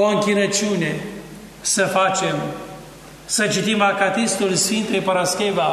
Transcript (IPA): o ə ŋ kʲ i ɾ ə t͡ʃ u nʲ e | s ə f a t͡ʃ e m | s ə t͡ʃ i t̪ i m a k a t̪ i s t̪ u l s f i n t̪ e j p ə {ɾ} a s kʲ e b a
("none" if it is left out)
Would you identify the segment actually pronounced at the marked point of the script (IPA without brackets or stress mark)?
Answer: ɾ